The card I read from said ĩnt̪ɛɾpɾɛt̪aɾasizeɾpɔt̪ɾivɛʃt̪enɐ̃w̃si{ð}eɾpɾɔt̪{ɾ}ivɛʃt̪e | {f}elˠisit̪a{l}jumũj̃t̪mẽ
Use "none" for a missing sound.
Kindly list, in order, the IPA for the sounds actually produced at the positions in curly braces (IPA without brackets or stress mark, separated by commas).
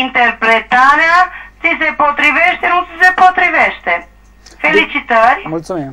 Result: z, ɾ, f, ɾ